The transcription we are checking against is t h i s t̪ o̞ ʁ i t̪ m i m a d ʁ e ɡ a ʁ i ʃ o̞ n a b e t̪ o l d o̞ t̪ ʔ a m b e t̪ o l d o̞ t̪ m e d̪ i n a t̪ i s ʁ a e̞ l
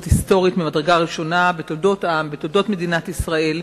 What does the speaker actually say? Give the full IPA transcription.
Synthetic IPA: t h i s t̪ o̞ ʁ i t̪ m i m a d ʁ e ɡ a ʁ i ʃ o̞ n a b e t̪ o l d o̞ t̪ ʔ a m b e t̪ o l d o̞ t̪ m e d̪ i n a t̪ i s ʁ a e̞ l